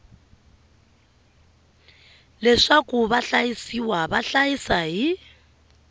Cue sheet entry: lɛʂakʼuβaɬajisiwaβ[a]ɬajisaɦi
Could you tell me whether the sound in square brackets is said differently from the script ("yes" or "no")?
no